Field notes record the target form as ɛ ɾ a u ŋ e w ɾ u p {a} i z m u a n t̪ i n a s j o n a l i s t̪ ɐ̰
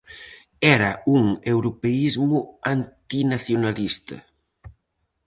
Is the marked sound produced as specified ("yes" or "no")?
no